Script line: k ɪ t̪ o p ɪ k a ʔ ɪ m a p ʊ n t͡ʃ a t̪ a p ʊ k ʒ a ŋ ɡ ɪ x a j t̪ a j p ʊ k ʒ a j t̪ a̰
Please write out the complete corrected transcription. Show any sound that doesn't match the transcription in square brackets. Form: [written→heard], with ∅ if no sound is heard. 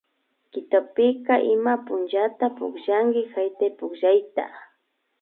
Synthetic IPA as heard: k ɪ t̪ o p ɪ k a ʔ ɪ m a p ʊ n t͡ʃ a t̪ a p ʊ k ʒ a ŋ ɡ ɪ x a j t̪ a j p ʊ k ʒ a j t̪ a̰

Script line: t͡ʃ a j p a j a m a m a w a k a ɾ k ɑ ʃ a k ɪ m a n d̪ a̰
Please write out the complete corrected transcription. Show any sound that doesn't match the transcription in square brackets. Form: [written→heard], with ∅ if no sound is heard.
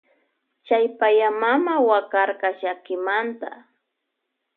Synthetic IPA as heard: t͡ʃ a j p a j a m a m a w a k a ɾ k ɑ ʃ a k ɪ m a n [d̪→t̪] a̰

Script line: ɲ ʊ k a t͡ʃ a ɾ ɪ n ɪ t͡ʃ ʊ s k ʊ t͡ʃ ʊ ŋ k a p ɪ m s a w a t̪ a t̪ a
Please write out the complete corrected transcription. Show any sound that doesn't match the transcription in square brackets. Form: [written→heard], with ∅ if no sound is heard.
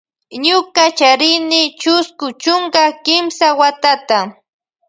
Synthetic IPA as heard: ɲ ʊ k a t͡ʃ a ɾ ɪ n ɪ t͡ʃ ʊ s k ʊ t͡ʃ ʊ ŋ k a [p→k] ɪ m s a w a t̪ a t̪ a

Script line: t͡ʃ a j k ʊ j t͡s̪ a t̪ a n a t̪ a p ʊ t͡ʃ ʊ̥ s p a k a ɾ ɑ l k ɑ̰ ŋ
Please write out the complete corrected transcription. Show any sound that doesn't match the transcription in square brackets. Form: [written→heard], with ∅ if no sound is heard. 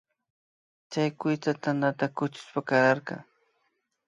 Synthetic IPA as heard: t͡ʃ a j k ʊ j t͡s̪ a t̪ a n a t̪ a [p→k] ʊ t͡ʃ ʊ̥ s p a k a ɾ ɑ [l→ɾ] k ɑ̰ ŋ

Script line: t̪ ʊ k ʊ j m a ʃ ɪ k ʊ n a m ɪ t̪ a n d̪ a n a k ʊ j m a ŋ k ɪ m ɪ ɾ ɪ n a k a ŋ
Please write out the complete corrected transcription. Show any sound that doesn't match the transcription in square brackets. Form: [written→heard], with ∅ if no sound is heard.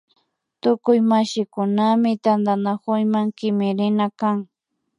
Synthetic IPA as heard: t̪ ʊ k ʊ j m a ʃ ɪ k ʊ n a m ɪ t̪ a n d̪ a n a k ʊ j m a ŋ k ɪ m ɪ ɾ ɪ n a k a ŋ

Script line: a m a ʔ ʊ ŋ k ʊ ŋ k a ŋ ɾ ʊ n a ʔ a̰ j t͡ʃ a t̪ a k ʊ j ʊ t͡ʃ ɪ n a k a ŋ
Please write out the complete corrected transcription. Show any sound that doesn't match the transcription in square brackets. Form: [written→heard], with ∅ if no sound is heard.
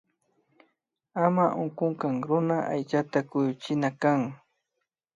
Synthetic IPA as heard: a m a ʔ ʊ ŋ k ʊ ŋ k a ŋ ɾ ʊ n a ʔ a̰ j t͡ʃ a t̪ a k ʊ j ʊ t͡ʃ ɪ n a k a ŋ

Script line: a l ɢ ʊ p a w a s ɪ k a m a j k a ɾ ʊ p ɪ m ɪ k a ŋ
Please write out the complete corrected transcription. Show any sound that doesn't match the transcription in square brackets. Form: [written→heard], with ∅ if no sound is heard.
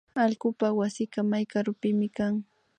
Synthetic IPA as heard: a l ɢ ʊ p a w a s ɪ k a m a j k a ɾ ʊ p ɪ m ɪ k a ŋ

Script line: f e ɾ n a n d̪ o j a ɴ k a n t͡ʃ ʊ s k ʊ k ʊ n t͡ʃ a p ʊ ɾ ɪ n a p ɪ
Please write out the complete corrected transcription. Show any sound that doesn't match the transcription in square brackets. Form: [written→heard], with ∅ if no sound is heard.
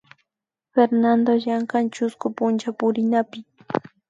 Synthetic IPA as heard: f e ɾ n a n d̪ o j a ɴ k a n t͡ʃ ʊ s k ʊ [k→p] ʊ n t͡ʃ a p ʊ ɾ ɪ n a p ɪ

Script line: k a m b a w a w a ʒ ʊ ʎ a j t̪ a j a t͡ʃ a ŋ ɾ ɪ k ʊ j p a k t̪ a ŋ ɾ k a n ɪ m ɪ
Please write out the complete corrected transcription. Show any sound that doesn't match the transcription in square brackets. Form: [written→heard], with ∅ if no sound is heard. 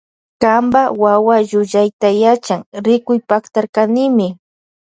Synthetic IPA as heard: k a m b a w a w a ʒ ʊ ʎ a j t̪ a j a t͡ʃ a ŋ ɾ ɪ k ʊ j p a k t̪ a [ŋ→∅] ɾ k a n ɪ m ɪ

